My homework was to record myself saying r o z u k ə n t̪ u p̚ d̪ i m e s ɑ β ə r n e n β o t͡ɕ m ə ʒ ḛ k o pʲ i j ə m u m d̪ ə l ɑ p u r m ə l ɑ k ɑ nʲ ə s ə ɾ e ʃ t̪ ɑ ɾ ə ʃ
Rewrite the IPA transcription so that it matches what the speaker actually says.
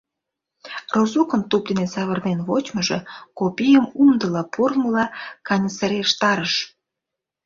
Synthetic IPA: r o z u k ə n t̪ u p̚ d̪ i n e s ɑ β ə r n e n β o t͡ɕ m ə ʒ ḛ k o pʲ i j ə m u m d̪ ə l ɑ p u r m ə l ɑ k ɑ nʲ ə s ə ɾ e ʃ t̪ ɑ ɾ ə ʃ

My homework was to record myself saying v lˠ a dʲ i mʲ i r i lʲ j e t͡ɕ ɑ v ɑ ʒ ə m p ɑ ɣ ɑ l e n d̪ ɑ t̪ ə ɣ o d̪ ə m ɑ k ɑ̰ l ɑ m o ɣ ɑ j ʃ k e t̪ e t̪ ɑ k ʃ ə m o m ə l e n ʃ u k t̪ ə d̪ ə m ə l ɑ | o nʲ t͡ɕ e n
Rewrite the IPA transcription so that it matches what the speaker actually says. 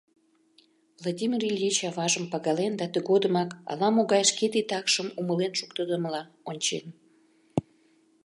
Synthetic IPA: v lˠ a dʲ i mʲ i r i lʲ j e t͡ɕ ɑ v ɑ ʒ ə m p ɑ ɣ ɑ l e n d̪ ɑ t̪ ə ɣ o d̪ ə m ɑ k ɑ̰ l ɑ m o ɣ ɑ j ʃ k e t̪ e t̪ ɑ k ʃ ə m u m ə l e n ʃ u k t̪ ə d̪ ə m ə l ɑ | o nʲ t͡ɕ e n

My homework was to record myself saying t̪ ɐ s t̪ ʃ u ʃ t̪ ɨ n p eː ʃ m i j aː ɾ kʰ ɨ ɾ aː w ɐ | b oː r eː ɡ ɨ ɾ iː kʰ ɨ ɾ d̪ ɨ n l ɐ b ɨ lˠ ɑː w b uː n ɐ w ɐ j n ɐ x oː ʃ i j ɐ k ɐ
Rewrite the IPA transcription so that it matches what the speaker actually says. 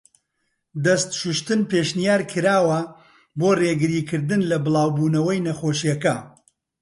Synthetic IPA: d̪ ɐ s t̪ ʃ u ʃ t̪ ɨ n p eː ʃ n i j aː ɾ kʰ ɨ ɾ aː w ɐ | b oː r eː ɡ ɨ ɾ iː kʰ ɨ ɾ d̪ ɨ n l ɐ b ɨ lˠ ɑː w b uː n ɐ w ɐ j n ɐ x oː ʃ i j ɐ k ɐ

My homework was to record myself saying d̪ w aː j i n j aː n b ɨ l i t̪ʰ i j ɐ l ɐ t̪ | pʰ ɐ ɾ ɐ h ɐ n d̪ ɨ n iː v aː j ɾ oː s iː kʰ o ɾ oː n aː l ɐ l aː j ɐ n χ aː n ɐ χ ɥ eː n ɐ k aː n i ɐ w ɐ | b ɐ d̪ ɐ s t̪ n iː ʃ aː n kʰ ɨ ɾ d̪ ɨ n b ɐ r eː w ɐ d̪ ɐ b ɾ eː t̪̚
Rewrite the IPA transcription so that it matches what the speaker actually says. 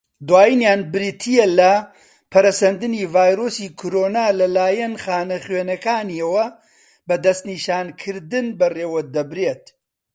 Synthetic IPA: d̪ w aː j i n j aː n b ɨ ɾ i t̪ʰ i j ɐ l ɐ | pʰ ɐ ɾ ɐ s ɐ n d̪ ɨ n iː v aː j ɾ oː s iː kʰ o ɾ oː n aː l ɐ l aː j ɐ n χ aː n ɐ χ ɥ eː n ɐ k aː n i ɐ w ɐ | b ɐ d̪ ɐ s t̪ n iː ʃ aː n kʰ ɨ ɾ d̪ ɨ n b ɐ r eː w ɐ d̪ ɐ b ɾ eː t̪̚

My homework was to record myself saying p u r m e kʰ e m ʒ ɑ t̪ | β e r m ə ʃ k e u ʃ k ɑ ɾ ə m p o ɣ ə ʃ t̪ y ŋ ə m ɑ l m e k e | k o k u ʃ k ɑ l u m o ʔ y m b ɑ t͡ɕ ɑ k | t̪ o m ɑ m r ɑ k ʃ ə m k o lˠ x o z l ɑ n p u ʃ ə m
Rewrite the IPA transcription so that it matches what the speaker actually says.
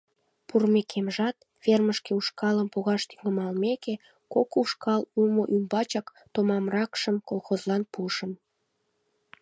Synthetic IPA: p u r m e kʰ e m ʒ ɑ t̪ | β e r m ə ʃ k e u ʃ k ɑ l ə m p o ɣ ɑ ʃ t̪ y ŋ ə m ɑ l m e k e | k o k u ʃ k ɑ l u m o ʔ y m b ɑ t͡ɕ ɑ k | t̪ o m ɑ m r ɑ k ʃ ə m k o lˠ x o z l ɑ n p u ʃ ə m

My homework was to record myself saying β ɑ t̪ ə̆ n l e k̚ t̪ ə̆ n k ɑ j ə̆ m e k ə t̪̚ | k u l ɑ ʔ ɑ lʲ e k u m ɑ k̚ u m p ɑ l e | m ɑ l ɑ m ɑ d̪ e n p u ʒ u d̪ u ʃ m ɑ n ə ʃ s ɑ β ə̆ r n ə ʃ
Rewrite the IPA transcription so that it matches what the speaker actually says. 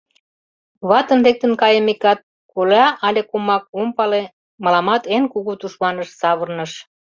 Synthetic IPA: β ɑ t̪ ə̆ n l e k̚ t̪ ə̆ n k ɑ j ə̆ m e k ɑ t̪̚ | k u l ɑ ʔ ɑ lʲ e k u m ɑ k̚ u m p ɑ l e | m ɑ l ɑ m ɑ t̪ e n k u ɣ u t̪ u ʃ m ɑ n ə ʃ s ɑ β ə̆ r n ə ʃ

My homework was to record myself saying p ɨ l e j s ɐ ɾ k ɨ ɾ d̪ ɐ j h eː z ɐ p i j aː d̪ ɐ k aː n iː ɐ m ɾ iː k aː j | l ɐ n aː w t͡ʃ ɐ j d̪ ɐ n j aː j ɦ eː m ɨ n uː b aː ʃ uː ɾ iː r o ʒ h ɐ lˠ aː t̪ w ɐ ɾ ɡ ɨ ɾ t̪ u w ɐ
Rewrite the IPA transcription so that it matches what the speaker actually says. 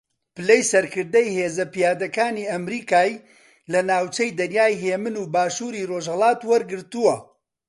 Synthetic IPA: p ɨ l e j s ɐ ɾ k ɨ ɾ d̪ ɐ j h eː z ɐ p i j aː d̪ ɐ k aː n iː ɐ m ɾ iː k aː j | l ɐ n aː w t͡ʃ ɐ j d̪ ɐ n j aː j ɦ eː m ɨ n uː b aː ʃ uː ɾ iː r o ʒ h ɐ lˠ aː t̪ w ɐ ɾ ɡ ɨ ɾ t̪ u w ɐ

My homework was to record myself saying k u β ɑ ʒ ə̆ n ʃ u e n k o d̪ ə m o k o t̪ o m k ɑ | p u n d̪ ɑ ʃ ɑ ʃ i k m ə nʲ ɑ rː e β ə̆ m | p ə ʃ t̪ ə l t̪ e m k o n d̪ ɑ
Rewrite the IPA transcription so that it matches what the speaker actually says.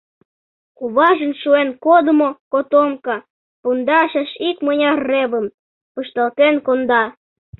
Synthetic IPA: k u β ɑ ʒ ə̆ n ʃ u e n k o d̪ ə m o k o t̪ o m k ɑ | p u n d̪ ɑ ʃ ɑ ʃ i k m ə nʲ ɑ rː e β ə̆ m | p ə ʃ t̪ ɑ l t̪ e n k o n d̪ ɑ

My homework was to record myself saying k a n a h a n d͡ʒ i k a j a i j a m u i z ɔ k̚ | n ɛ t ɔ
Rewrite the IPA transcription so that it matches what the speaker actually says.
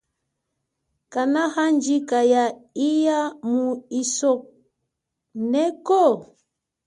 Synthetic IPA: k a n a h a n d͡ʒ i k a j a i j a m u i s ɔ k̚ | n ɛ k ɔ

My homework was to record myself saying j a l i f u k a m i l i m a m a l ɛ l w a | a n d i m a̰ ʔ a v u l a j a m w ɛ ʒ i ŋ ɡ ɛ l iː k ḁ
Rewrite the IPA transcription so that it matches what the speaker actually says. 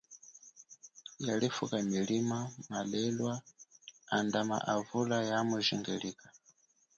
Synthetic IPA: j a l i f u k a m i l i m a m a l ɛ l w a | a n d a m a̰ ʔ a v u l a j a m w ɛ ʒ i ŋ ɡ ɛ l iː k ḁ

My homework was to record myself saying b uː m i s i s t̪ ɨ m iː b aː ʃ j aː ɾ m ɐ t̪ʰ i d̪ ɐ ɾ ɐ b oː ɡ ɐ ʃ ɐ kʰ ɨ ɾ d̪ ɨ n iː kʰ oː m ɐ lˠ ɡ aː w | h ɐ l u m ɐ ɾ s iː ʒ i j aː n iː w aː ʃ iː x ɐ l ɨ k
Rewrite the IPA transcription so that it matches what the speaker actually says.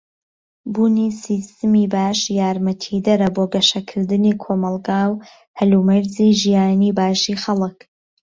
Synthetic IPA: b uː n i s i s t̪ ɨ m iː b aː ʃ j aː ɾ m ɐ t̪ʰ i d̪ ɐ ɾ ɐ b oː ɡ ɐ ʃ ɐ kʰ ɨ ɾ d̪ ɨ n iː kʰ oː m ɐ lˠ ɡ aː w | h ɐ l u m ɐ ɾ z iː ʒ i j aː n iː b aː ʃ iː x ɐ l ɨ k

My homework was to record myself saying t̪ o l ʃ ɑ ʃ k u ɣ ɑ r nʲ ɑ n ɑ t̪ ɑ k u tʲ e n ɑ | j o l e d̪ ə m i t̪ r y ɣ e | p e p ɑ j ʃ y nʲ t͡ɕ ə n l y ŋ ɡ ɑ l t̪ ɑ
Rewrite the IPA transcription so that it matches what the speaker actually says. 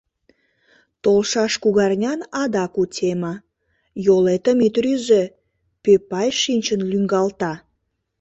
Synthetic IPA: t̪ o l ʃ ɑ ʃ k u ɣ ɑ r nʲ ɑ n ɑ d̪ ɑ k u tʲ e m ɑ | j o l e t̪ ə m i t̪ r y z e | p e p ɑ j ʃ i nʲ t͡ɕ ə n l y ŋ ɡ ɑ l t̪ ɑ

